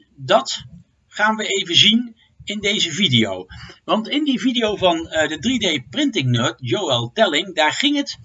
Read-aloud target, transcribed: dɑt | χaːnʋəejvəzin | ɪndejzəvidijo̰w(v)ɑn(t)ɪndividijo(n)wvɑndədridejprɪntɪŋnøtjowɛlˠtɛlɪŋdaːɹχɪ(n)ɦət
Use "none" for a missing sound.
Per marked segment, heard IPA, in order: ʋ, t, none, ŋ

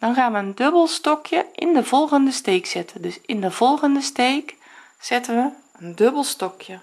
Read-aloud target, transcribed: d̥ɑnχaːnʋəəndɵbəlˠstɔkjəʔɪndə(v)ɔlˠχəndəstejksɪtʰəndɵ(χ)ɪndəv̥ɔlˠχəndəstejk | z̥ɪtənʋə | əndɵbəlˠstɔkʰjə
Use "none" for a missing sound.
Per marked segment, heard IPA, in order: v, s

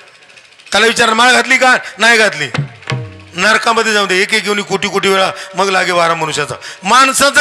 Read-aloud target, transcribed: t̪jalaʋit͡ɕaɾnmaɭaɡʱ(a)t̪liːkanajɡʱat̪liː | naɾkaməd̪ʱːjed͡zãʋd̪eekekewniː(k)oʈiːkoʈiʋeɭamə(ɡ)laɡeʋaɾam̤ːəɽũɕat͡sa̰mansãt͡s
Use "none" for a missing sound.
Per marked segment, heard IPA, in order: a, k, ɡ

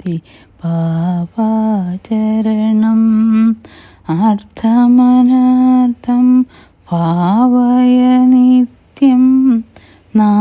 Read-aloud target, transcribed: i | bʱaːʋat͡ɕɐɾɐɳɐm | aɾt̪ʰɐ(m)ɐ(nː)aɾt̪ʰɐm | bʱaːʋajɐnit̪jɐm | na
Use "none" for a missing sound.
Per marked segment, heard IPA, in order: m, n

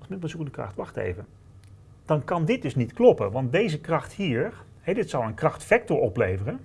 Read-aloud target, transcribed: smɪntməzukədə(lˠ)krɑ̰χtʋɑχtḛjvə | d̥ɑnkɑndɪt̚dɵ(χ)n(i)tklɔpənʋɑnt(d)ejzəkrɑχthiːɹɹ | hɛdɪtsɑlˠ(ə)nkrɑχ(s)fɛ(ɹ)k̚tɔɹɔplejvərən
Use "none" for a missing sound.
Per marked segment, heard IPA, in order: none, s, i, d, ə, t, none

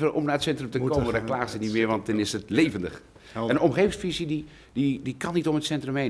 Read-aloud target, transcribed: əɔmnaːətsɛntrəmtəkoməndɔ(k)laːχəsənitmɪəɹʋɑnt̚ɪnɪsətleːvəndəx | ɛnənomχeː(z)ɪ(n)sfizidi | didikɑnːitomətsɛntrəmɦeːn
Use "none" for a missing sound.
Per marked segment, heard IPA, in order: k, v, ŋ

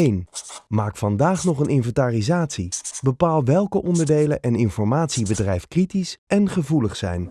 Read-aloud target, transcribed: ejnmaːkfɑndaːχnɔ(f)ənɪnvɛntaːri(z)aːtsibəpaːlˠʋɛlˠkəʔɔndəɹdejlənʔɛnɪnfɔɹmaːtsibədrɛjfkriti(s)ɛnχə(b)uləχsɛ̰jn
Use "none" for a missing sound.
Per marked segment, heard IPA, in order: χ, z, s, v

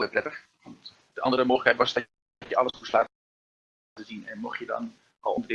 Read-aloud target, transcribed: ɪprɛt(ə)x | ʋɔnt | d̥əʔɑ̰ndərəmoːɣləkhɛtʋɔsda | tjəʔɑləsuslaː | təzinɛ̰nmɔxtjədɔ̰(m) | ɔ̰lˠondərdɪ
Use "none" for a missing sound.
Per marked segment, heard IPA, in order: ə, n

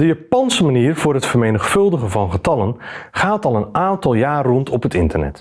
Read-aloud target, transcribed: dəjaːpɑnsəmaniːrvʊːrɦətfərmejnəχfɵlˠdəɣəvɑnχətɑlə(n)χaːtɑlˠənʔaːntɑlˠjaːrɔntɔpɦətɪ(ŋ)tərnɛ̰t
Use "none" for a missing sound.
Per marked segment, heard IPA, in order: n, n

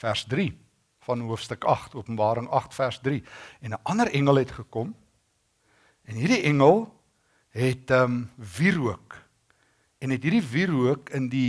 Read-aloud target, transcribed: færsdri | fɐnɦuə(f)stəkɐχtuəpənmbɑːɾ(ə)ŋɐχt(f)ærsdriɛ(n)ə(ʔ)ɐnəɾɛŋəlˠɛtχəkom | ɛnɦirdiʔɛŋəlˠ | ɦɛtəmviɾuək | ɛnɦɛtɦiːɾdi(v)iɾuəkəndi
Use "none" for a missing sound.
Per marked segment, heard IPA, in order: f, ə, f, n, ʔ, v

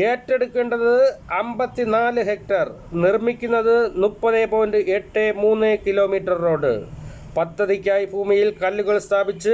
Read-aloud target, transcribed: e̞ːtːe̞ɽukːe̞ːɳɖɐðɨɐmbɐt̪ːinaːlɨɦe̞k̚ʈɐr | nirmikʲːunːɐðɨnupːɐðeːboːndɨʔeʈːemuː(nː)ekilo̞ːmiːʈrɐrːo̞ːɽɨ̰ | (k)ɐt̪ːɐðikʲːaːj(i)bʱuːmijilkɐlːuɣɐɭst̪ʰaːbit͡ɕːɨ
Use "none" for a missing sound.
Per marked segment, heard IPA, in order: nː, p, i

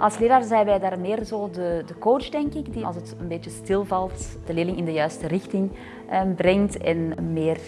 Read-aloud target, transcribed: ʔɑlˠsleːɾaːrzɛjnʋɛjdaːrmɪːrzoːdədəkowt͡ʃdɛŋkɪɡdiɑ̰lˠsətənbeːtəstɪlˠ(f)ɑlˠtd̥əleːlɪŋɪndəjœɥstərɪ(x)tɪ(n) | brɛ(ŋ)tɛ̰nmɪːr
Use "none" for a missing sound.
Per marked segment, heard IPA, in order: v, x, ŋ, ŋ

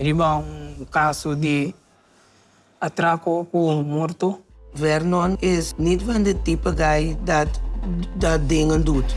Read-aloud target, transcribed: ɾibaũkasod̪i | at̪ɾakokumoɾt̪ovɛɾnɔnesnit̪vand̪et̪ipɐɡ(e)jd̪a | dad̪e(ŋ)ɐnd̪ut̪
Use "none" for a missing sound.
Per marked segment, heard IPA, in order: a, ŋ

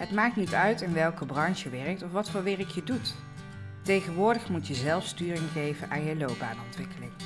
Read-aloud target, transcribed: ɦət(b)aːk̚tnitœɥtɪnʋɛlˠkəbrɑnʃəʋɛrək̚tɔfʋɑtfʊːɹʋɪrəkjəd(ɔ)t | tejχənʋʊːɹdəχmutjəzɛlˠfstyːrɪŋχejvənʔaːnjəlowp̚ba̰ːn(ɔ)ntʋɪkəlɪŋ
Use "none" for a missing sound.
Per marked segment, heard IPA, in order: m, u, ɔ

